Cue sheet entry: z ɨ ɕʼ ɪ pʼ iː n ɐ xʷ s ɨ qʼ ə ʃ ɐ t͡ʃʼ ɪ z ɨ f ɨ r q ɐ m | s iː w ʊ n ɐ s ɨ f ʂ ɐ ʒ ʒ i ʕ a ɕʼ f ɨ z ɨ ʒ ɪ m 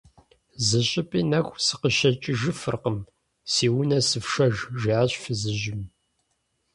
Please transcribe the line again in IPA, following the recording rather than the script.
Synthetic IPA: z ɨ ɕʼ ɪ pʼ iː n ɐ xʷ s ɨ q ə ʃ ɐ t͡ʃʼ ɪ ʒ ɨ f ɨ r q ə m | s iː w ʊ n ɐ s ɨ f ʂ ɐ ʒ ʒ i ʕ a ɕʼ f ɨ z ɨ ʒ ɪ m